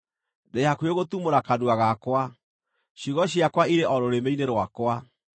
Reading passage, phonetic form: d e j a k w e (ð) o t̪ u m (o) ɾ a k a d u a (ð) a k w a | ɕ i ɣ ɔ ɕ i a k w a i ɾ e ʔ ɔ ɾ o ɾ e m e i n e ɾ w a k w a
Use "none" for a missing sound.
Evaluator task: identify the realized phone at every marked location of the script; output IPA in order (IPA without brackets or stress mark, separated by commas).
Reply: ɣ, o, ɣ